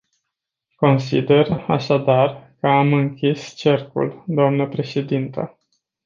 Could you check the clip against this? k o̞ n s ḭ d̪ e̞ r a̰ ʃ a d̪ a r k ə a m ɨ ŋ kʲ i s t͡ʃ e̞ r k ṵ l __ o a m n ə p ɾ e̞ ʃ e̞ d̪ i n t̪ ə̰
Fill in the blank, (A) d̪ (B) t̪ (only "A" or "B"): A